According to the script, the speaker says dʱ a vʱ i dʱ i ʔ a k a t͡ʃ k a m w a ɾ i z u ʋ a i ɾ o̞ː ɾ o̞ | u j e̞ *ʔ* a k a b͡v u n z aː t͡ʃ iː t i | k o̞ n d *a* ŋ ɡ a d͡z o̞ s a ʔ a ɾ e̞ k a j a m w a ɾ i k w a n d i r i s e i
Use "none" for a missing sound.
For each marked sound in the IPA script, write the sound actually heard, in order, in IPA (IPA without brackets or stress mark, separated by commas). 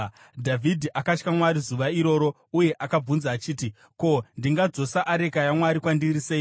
ʔ, i